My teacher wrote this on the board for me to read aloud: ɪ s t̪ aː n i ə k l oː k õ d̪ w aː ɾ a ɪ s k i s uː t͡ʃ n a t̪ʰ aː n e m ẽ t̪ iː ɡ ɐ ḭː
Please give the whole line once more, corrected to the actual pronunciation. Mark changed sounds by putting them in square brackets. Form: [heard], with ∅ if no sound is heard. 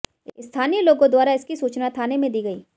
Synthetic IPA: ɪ s [t̪ʰ] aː n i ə [∅] l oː [ɡ] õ d̪ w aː ɾ a ɪ s k i s uː t͡ʃ n a t̪ʰ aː n e m ẽ [d̪] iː ɡ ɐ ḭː